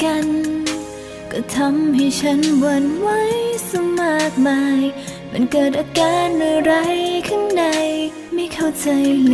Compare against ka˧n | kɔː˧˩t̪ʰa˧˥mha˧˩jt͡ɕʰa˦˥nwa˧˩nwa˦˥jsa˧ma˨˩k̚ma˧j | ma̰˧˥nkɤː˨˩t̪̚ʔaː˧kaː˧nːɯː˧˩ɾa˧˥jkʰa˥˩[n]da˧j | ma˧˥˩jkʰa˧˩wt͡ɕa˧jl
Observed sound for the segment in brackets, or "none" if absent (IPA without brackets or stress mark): ŋ